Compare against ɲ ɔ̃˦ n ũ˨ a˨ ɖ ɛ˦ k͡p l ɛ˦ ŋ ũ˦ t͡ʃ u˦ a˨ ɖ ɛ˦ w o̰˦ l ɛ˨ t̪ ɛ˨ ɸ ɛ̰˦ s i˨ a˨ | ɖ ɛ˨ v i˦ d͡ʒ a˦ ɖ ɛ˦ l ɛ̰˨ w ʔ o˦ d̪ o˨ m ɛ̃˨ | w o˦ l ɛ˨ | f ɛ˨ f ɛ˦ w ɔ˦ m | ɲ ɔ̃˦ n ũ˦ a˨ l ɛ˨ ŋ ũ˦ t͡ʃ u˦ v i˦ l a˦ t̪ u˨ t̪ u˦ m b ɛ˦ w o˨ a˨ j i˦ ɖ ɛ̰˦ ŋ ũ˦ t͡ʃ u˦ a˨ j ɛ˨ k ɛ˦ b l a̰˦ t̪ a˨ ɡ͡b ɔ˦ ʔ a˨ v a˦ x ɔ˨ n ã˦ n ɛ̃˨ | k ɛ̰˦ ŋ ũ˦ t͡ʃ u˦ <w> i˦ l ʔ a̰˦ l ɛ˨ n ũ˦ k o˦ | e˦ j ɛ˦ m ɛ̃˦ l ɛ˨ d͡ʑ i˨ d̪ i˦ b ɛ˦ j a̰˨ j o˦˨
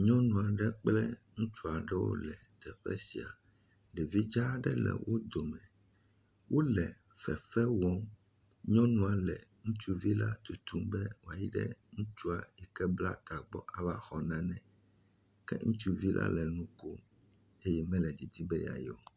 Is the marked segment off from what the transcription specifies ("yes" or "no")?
yes